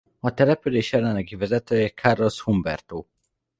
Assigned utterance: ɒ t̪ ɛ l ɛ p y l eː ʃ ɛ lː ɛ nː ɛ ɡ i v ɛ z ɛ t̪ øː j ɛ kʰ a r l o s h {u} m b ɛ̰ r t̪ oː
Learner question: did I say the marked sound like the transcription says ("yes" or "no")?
yes